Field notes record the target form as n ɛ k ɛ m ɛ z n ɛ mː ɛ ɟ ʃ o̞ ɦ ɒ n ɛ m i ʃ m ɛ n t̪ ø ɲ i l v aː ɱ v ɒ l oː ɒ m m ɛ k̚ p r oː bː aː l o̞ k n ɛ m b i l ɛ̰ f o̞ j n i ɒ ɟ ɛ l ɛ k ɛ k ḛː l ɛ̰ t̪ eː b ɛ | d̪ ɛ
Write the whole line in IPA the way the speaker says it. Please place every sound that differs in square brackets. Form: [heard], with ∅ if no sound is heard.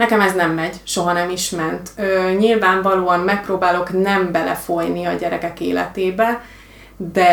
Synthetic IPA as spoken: n ɛ k ɛ m ɛ z n ɛ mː ɛ ɟ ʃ o̞ ɦ ɒ n ɛ m i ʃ m ɛ n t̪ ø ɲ i l v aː ɱ v ɒ l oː ɒ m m ɛ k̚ p r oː [b] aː l o̞ k n ɛ m b [ɛ] l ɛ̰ f o̞ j n i ɒ ɟ ɛ [ɾ] ɛ k ɛ k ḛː l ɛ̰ t̪ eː b ɛ | d̪ ɛ